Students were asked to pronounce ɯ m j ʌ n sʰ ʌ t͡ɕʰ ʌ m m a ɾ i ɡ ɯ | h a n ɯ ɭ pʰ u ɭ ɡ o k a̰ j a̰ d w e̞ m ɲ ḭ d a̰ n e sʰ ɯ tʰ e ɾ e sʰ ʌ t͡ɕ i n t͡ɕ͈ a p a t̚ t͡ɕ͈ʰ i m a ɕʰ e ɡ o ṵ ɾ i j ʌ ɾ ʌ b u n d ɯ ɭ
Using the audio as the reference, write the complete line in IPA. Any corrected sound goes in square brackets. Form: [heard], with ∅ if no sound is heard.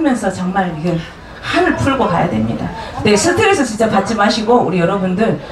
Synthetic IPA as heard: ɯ m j ʌ n sʰ ʌ [t͡ɕ] ʌ [ŋ] m a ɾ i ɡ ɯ | h a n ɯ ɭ pʰ u ɭ ɡ o k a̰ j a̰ d w e̞ m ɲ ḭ d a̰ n e sʰ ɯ tʰ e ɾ e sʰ ʌ t͡ɕ i n t͡ɕ͈ a p a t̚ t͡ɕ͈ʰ i m a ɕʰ [i] ɡ o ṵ ɾ i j ʌ ɾ ʌ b u n d ɯ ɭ